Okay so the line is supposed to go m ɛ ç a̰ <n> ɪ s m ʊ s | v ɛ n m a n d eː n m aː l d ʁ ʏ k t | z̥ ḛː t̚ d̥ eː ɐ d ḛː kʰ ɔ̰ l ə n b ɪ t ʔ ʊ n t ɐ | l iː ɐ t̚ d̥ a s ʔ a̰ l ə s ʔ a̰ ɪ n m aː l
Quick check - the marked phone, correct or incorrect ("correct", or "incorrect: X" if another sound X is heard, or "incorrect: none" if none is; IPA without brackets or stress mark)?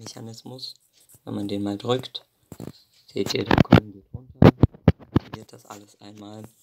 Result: correct